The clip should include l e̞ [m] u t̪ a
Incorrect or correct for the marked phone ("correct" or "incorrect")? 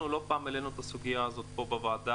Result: incorrect